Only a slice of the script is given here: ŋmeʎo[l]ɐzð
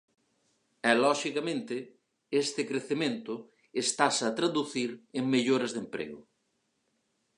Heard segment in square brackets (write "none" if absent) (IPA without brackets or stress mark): ɾ